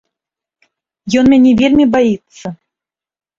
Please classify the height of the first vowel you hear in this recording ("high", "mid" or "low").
mid